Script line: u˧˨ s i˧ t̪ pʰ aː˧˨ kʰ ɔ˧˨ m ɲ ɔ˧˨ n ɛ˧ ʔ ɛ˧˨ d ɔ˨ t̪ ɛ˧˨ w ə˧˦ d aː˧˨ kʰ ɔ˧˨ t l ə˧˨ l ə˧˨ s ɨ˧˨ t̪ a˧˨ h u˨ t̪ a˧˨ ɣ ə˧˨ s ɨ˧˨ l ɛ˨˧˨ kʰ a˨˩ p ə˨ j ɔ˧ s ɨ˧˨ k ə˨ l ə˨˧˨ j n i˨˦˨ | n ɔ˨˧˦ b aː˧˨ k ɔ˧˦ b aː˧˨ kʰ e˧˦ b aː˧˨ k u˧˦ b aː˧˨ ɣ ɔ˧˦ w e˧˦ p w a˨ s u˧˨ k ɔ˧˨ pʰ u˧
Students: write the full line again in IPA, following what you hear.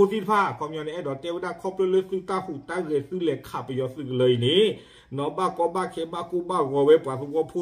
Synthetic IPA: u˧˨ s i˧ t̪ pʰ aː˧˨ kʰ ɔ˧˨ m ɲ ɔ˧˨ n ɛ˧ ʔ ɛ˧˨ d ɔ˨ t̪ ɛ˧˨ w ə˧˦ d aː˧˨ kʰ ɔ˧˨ p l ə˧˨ l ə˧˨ s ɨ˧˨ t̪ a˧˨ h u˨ t̪ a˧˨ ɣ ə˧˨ s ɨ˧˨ l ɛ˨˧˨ kʰ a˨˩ p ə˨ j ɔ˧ s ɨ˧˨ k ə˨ l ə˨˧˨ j n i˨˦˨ | n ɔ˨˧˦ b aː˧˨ k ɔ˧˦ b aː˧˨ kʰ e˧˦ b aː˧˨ k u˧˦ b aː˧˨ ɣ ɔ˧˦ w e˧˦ p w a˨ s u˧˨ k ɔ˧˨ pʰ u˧